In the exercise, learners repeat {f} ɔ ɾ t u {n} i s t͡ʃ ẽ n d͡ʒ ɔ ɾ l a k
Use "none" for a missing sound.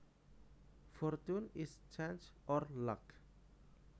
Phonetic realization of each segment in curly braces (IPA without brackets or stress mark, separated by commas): f, n